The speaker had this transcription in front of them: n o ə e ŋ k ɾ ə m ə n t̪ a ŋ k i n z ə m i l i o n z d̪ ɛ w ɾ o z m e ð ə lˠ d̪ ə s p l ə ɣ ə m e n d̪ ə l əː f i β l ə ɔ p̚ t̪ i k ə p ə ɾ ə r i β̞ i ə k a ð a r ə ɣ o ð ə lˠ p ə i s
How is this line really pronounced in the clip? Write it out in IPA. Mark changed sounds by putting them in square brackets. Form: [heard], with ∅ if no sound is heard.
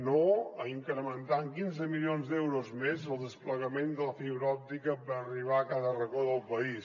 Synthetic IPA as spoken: n o ə [i] ŋ k ɾ ə m ə n t̪ a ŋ k i n z ə m i l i o n z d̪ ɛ w ɾ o z m e [z] ə lˠ d̪ ə s p l ə ɣ ə m e n d̪ ə l [ə] f i β [ɾ] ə ɔ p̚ t̪ i k ə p ə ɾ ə r i β̞ [a] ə k a ð [ə] r ə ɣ o ð ə lˠ p ə i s